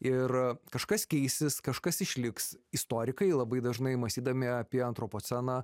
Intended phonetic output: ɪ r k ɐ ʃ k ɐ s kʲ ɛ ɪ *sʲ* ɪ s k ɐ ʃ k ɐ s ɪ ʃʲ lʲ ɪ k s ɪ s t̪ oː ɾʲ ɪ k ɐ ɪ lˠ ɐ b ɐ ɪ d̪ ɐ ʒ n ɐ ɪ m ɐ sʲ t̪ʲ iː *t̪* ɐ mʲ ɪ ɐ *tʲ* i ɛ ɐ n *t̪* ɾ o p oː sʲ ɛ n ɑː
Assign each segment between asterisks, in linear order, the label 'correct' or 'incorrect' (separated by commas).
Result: correct, incorrect, incorrect, correct